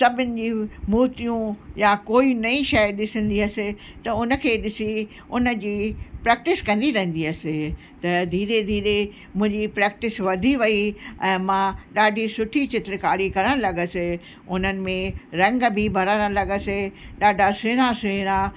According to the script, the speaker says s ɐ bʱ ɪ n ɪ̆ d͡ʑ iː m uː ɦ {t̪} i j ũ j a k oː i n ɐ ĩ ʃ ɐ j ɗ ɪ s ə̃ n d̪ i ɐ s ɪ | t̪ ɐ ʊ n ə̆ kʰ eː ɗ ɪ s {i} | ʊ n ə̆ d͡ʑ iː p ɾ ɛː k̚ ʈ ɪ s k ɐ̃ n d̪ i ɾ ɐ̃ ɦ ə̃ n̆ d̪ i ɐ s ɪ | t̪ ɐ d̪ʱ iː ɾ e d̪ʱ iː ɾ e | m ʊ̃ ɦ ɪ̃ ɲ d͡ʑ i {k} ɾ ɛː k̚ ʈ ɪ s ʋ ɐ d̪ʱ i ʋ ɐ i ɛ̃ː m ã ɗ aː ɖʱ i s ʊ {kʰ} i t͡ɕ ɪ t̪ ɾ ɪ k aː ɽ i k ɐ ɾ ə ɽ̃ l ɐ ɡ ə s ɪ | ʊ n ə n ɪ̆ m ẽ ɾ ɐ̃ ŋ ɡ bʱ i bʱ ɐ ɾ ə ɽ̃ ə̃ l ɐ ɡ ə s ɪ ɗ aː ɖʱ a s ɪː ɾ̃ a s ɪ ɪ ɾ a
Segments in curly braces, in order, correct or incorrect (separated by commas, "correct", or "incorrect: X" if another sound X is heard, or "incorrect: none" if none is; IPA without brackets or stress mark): correct, correct, incorrect: p, incorrect: ʈʰ